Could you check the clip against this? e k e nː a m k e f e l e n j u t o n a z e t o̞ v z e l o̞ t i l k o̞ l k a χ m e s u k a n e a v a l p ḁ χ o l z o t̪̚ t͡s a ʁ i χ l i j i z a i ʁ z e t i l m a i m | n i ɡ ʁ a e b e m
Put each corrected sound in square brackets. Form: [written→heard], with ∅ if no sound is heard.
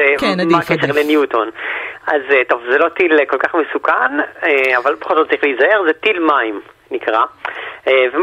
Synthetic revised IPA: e k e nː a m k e [f→ʃ] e l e n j u t o n a z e t o̞ v z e l o̞ t i l k o̞ l k a χ m e s u k a n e a v a l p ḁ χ o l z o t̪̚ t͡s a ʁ i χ l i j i z a [i→e] ʁ z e t i l m a i m | n i [ɡ→k] ʁ a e [b→v] e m